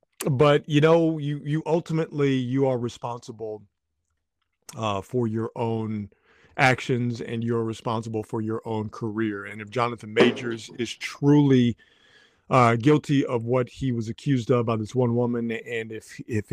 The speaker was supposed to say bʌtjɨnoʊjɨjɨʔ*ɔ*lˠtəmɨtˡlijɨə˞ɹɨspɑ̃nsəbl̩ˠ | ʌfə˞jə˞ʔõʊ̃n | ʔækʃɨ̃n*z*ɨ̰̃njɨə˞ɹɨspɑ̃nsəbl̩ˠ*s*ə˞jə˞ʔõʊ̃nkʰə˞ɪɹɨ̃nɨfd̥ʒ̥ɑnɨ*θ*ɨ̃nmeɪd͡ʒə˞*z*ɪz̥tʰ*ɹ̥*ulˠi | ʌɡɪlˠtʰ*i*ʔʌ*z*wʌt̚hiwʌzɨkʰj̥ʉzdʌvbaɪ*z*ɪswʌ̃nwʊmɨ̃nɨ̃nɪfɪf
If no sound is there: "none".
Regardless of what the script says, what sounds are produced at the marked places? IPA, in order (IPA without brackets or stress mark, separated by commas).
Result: ʌ, z, f, θ, z, ɹ̥, i, v, ð